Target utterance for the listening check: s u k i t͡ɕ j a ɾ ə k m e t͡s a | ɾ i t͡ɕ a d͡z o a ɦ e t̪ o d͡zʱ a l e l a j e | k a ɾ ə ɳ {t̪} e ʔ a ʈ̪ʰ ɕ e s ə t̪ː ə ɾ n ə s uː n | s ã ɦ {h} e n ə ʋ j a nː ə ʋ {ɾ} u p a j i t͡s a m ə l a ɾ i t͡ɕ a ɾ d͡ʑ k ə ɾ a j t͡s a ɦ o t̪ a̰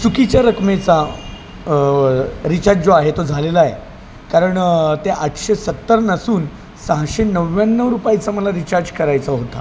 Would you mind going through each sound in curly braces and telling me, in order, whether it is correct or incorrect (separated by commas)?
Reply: correct, incorrect, correct